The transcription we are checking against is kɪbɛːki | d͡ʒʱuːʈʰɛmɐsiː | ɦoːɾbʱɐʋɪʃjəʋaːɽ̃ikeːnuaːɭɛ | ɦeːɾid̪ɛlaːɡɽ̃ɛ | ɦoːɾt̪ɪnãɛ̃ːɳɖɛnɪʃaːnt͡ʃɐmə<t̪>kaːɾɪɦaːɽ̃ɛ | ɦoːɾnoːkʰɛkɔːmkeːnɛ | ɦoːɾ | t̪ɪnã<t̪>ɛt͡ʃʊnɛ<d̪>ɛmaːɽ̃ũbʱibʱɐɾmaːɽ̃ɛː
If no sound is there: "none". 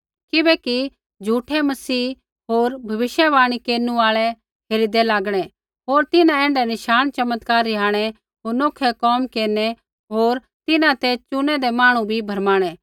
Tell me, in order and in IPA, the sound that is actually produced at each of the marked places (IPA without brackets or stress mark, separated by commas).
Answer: t̪, t̪, d̪